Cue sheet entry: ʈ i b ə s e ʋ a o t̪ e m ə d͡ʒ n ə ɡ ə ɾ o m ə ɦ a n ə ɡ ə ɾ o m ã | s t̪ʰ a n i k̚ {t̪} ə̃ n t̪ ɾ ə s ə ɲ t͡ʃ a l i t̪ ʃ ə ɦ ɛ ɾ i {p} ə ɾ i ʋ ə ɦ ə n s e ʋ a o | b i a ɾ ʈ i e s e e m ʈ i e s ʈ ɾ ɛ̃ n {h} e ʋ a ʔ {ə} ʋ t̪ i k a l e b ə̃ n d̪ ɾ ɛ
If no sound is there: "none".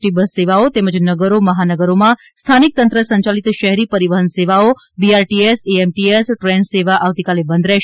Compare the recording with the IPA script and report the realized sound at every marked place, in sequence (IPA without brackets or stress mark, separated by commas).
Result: t̪, p, s, a